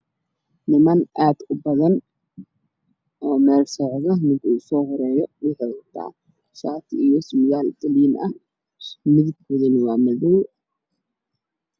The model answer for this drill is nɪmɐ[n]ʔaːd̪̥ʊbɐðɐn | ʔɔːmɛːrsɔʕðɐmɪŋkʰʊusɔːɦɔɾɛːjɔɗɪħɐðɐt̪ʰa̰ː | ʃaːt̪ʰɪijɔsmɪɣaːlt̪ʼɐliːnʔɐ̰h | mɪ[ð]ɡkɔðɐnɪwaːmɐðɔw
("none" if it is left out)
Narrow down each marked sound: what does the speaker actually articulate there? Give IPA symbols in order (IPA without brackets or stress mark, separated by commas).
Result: n, ð